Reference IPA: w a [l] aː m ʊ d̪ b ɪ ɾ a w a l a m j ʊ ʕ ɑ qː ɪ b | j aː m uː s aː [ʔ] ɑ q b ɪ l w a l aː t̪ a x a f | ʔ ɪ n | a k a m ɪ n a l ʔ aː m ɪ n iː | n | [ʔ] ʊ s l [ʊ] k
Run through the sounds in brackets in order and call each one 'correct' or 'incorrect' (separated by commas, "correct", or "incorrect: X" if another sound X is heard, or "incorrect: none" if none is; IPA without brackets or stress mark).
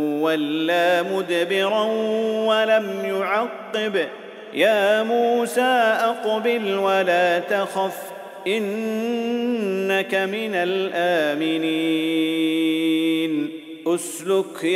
incorrect: lː, correct, correct, correct